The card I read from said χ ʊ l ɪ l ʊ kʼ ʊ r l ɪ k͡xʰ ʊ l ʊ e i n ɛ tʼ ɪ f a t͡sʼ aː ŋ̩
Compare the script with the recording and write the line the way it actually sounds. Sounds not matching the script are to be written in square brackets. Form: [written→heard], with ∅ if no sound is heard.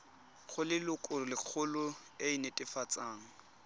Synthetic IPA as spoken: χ ʊ l ɪ l ʊ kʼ ʊ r l ɪ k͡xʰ ʊ l ʊ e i n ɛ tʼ ɪ f a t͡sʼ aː ŋ̩